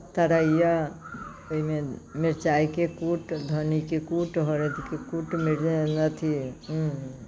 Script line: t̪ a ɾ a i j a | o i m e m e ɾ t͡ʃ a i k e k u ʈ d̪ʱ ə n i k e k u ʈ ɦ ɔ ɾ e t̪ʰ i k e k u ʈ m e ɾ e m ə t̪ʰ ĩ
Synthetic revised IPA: t̪ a ɾ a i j a | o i m e m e ɾ t͡ʃ a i k e k u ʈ d̪ʱ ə n i k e k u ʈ ɦ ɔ ɾ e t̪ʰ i k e k u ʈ m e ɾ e n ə t̪ʰ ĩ